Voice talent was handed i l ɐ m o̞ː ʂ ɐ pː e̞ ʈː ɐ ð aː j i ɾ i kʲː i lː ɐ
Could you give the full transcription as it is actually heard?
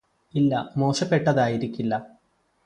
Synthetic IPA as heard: i lː ɐ m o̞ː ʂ ɐ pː e̞ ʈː ɐ ð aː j i ɾ i kʲː i lː ɐ